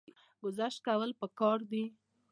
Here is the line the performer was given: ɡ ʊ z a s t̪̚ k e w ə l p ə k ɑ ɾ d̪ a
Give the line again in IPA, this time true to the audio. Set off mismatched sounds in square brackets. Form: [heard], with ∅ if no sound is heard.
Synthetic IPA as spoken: ɡ ʊ z a [ʃ] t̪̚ k [a] w ə l p ə k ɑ ɾ d̪ [i]